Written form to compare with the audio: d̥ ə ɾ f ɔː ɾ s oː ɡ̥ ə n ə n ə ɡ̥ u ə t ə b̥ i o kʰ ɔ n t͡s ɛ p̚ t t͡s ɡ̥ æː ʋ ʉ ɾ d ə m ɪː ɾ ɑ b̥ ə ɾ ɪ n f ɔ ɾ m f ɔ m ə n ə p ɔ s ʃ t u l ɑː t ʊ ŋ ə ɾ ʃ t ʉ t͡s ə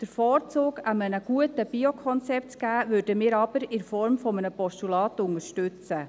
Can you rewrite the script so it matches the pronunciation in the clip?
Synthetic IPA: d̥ ə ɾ f ɔː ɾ t͡s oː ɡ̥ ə m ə n ə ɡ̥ u ə t ə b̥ i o kʰ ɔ n t͡s ɛ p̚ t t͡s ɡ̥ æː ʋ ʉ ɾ d ə m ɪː ɾ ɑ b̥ ə ɾ ɪ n f ɔ ɾ m f ɔ m ə n ə p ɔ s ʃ t u l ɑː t ʊ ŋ ə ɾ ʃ t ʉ t͡s ə